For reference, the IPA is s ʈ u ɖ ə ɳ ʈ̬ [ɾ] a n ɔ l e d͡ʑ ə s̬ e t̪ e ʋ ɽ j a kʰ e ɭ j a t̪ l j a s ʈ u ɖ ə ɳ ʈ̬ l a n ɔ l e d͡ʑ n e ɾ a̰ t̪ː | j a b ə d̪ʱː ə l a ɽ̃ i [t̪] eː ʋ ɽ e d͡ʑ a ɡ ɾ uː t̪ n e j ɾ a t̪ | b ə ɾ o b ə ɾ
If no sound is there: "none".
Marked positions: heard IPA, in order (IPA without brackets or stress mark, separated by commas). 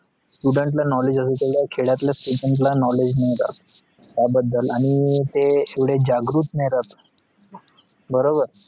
l, t̪